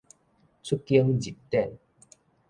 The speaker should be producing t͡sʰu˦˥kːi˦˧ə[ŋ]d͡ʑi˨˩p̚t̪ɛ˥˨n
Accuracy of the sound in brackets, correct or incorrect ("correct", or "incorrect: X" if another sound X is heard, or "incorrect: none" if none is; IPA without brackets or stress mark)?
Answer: correct